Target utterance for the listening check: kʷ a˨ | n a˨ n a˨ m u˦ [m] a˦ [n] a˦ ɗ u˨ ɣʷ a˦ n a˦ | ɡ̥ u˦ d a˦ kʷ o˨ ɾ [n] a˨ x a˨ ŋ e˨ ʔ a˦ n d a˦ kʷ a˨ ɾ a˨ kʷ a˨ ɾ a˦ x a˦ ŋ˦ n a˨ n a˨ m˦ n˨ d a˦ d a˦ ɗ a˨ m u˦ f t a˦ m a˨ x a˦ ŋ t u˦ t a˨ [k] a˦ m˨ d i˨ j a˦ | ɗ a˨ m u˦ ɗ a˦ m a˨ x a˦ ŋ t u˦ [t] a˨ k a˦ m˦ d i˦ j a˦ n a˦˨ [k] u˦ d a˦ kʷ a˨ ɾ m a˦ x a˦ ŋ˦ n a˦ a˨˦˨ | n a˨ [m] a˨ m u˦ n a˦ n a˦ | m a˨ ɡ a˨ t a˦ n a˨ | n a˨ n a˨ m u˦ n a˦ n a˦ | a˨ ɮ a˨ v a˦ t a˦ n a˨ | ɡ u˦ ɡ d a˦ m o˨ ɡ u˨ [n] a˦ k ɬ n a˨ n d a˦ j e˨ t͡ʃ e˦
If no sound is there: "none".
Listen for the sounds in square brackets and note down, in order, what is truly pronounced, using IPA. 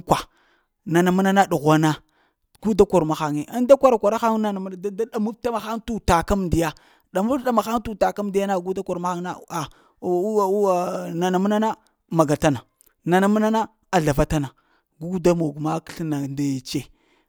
n, n, m, k, t, ɡ, n, m

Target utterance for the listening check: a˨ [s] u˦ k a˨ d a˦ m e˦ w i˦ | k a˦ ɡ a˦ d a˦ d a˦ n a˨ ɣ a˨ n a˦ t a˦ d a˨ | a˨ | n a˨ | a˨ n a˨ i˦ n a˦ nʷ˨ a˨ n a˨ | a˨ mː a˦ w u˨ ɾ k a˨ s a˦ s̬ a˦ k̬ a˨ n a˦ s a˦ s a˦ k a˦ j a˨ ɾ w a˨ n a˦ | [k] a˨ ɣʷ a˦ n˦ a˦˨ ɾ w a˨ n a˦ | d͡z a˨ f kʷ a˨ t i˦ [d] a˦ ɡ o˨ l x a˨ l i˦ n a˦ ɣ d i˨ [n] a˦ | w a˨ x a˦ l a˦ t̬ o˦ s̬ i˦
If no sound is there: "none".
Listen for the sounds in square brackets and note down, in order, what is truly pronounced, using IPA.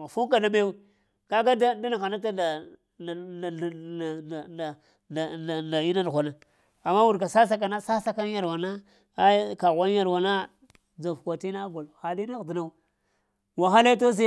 f, k, n, n

